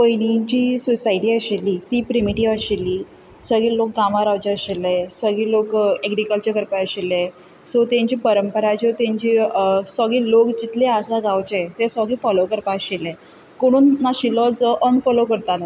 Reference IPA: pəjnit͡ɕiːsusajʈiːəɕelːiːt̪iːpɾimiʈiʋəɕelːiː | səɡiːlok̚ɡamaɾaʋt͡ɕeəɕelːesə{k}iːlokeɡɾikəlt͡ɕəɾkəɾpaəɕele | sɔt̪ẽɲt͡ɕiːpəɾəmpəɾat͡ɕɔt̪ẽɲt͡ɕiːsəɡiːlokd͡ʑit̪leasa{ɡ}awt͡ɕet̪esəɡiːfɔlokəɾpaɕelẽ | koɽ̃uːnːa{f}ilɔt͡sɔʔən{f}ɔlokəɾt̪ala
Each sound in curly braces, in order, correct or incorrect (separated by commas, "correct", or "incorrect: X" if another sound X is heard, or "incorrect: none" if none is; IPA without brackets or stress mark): incorrect: ɡ, correct, incorrect: ɕ, correct